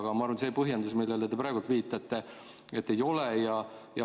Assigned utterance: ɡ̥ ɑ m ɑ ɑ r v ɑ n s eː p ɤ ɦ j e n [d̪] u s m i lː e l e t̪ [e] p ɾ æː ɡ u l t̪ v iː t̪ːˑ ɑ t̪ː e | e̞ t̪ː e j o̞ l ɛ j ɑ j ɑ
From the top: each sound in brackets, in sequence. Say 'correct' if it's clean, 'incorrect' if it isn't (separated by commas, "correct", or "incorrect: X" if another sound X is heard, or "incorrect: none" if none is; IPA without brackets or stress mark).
correct, correct